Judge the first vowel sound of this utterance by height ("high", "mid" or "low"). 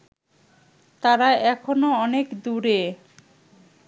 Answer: low